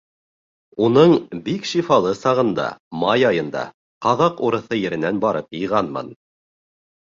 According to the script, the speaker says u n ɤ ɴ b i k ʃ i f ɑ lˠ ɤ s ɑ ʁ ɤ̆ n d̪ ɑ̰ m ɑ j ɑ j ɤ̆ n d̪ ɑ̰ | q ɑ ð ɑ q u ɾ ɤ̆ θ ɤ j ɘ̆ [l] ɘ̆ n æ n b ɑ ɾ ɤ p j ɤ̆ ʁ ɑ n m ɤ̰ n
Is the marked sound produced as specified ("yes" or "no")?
no